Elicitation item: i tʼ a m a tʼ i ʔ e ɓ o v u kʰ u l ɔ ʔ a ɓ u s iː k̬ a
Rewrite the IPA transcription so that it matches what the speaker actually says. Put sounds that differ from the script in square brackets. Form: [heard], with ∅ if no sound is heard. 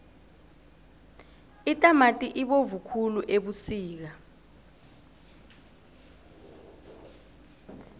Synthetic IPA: i tʼ a m a tʼ i ʔ [i] ɓ o v u kʰ u l [u] ʔ [e] ɓ u s iː k̬ a